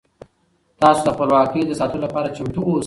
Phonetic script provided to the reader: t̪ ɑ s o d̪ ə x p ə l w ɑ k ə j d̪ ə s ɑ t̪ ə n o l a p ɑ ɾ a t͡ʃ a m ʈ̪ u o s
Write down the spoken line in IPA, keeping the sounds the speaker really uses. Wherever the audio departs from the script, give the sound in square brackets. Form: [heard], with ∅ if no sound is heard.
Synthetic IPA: t̪ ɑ s o d̪ ə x p ə l w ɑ k ə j d̪ ə s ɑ t̪ ə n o l a p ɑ ɾ a t͡ʃ a m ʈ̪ u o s